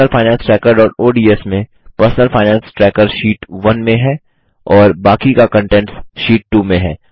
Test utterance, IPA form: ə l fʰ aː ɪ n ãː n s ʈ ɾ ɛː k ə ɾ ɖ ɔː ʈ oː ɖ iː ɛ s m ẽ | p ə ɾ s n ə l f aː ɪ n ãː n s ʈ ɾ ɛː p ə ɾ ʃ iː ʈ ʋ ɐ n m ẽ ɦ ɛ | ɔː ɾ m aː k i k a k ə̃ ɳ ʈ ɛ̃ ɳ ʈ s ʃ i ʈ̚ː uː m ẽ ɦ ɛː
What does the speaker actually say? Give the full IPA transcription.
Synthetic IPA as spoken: ə l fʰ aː ɪ n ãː n s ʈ ɾ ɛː k ə ɾ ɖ ɔː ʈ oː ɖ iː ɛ s m ẽ | p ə ɾ s n ə l f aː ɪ n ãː n s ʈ ɾ ɛː k ə ɾ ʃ iː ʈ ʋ ɐ n m ẽ ɦ ɛ | ɔː ɾ b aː k i k a k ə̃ ɳ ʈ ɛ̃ ɳ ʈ s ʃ iː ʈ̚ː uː m ẽ ɦ ɛː